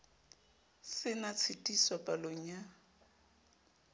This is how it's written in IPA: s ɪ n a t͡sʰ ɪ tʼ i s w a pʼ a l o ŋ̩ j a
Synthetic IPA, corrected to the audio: s ɪ n a t͡sʰ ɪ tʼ i s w a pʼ a l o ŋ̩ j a